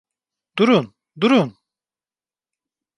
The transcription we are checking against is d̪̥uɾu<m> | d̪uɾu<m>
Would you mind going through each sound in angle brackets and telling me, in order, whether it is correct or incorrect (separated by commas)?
incorrect, incorrect